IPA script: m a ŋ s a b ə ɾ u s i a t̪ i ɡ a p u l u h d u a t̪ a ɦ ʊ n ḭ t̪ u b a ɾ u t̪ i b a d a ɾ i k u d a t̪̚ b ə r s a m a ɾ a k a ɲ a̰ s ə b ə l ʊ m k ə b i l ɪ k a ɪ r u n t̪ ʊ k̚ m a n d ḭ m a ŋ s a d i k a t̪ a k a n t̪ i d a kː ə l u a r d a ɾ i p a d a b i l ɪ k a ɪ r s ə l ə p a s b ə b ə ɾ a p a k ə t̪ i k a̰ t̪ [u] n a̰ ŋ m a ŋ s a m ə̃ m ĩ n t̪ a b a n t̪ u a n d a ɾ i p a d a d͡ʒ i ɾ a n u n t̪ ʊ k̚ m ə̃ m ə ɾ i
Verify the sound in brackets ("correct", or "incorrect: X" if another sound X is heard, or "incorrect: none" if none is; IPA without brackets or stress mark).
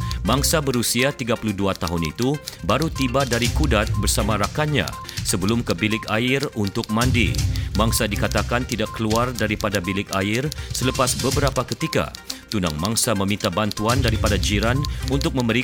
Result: correct